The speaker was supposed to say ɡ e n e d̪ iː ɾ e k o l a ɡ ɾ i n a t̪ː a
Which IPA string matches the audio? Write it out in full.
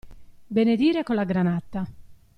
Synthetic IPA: b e n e d̪ iː ɾ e k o l a ɡ ɾ a n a t̪ː a